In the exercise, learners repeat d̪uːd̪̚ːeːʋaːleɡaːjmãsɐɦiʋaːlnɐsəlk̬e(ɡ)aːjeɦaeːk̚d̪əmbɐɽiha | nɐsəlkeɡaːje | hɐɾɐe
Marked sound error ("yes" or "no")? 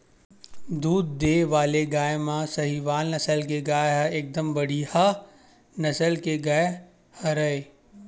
no